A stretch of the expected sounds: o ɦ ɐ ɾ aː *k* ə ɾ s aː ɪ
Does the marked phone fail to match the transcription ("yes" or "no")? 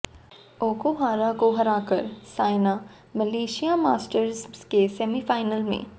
no